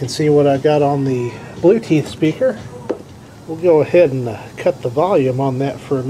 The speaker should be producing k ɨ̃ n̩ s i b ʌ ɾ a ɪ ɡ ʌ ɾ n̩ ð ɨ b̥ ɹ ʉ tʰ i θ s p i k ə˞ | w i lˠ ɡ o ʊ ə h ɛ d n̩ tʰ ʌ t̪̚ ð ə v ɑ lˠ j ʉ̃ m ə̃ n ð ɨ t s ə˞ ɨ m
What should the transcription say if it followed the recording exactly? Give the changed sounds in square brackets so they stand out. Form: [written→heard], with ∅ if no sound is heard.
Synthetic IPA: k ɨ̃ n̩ s i [b→w] ʌ ɾ a ɪ ɡ [ʌ→ɑ] ɾ n̩ ð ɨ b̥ [ɹ→l] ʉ tʰ i θ s p i k ə˞ | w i lˠ ɡ o ʊ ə h ɛ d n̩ [tʰ→kʰ] ʌ t̪̚ ð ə v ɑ lˠ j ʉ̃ m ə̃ n ð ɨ t [s→f] ə˞ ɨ m